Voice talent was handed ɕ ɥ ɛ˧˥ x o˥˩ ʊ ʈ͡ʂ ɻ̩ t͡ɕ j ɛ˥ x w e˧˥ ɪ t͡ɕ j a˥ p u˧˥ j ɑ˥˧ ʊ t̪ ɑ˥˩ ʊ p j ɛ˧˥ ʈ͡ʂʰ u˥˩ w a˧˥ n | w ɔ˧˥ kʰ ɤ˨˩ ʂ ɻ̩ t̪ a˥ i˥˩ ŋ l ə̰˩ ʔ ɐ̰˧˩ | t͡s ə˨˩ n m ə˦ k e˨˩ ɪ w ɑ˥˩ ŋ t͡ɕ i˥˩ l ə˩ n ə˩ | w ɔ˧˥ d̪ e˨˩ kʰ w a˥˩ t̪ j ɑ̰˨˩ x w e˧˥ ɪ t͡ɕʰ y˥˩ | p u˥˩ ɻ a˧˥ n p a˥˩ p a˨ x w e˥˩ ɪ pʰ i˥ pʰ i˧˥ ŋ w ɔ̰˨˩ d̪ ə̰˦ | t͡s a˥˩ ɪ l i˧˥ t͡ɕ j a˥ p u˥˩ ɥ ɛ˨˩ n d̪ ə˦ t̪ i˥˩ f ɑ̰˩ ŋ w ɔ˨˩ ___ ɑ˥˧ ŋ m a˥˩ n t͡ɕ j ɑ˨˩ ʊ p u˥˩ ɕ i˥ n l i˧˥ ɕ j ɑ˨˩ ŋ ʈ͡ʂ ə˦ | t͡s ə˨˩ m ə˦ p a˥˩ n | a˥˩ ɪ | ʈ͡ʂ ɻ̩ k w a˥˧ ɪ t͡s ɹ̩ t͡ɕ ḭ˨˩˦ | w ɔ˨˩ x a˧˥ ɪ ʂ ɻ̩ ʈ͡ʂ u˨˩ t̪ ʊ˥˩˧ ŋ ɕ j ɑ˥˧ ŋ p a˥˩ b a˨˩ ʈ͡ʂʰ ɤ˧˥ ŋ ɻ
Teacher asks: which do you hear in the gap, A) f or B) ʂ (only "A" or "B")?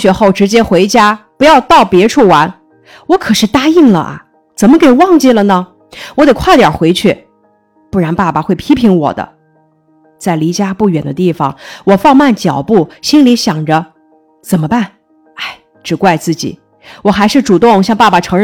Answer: A